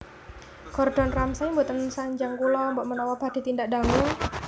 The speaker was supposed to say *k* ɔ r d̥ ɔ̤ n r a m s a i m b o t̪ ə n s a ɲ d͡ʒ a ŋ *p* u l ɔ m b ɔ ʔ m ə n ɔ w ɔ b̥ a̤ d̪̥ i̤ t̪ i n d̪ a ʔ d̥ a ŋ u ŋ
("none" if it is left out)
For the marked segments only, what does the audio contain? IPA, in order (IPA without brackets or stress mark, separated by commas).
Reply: k, k